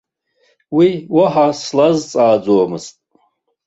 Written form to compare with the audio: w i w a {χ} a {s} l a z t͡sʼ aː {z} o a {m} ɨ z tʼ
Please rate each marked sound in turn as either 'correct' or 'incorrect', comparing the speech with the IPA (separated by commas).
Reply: incorrect, correct, incorrect, correct